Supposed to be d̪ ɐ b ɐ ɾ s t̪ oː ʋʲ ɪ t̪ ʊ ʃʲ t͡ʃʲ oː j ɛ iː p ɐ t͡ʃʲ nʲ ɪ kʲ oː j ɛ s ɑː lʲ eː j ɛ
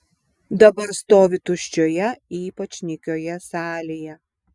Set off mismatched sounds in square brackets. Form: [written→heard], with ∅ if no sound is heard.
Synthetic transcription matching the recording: d̪ ɐ b ɐ ɾ s t̪ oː ʋʲ ɪ t̪ ʊ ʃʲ t͡ʃʲ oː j ɛ iː p ɐ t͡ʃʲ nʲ ɪ kʲ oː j ɛ s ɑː lʲ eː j ɛ